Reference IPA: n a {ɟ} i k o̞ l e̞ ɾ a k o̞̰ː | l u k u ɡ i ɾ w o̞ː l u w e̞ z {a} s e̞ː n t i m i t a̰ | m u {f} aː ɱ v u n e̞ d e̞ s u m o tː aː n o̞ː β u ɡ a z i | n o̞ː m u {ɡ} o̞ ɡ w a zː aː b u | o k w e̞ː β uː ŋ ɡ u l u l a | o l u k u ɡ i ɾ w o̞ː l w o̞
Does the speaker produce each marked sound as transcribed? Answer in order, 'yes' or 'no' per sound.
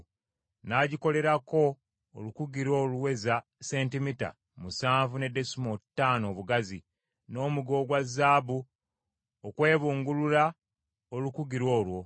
yes, yes, no, yes

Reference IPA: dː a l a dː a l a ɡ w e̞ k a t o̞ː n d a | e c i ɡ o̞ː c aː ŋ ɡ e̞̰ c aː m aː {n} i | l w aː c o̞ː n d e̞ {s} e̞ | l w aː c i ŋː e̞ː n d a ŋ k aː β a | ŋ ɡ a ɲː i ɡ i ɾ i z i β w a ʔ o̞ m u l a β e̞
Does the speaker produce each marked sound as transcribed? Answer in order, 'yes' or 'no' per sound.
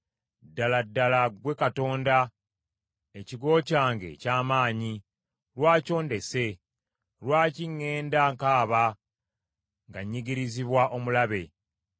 no, yes

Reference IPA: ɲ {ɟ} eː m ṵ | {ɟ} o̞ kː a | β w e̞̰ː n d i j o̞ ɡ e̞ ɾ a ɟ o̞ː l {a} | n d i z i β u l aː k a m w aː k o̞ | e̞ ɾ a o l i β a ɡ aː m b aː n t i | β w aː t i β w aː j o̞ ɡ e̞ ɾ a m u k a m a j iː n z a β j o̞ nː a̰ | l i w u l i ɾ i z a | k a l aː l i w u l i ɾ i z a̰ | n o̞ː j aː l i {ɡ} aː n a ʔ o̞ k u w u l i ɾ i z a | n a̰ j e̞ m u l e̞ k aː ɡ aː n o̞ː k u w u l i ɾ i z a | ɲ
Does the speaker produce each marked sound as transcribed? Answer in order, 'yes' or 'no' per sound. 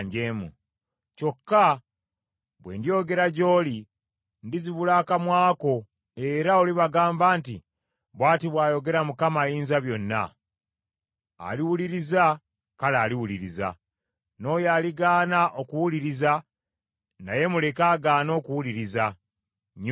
yes, no, no, yes

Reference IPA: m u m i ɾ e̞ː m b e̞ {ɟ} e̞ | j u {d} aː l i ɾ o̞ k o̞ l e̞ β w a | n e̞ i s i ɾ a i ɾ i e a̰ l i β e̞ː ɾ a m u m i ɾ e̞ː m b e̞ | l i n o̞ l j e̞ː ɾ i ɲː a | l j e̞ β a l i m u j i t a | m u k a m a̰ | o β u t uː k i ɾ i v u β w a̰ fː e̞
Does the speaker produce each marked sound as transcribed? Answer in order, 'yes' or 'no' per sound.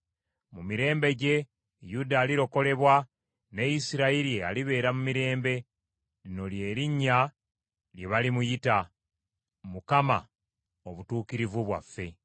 yes, yes

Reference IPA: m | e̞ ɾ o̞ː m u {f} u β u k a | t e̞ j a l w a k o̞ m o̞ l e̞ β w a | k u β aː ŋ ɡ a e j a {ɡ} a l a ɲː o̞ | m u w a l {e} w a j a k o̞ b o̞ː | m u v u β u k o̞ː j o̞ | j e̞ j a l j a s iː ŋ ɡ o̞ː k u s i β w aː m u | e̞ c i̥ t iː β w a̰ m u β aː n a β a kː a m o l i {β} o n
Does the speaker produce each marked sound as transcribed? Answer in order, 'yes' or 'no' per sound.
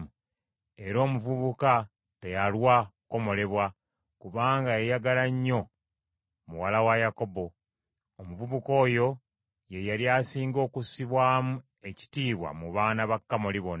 no, yes, no, yes

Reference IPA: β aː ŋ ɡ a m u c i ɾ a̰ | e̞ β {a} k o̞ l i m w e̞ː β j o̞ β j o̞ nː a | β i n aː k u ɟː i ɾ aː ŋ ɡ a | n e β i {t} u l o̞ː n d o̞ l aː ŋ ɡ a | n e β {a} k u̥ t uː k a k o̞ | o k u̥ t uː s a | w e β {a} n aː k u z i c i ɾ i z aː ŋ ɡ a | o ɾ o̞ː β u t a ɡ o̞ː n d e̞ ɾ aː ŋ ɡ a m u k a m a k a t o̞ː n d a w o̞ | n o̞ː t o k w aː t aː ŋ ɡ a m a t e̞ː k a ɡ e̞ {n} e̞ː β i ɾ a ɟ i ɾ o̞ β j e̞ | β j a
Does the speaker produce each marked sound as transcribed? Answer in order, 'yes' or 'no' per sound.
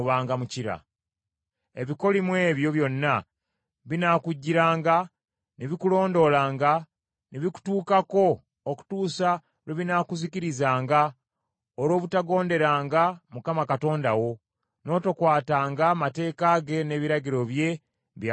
no, no, no, no, yes

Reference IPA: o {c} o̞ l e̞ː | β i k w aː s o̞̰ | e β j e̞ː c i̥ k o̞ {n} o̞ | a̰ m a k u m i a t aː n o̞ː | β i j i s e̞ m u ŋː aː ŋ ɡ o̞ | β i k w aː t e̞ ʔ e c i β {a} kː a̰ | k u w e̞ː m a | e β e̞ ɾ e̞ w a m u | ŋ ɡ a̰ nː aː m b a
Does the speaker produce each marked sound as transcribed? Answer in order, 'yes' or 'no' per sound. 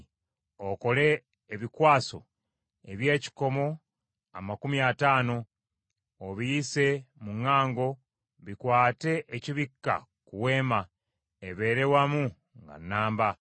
no, no, no

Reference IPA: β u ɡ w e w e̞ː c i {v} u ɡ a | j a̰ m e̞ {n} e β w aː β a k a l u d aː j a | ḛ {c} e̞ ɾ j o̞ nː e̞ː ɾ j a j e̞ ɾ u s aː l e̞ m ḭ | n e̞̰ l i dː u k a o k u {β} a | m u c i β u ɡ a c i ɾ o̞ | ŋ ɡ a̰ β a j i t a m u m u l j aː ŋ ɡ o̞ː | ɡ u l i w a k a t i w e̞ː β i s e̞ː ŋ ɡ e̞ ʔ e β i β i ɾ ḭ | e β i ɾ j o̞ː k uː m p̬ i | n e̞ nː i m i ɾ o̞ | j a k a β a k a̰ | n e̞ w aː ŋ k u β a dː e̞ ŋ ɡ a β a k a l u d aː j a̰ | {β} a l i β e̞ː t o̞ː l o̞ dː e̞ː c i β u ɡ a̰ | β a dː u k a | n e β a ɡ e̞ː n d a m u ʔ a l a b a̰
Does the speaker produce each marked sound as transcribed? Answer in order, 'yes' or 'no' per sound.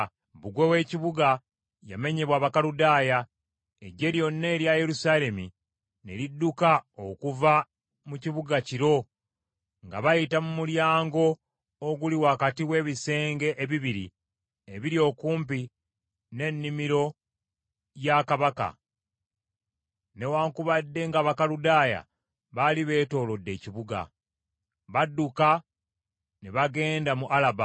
no, no, no, no, yes

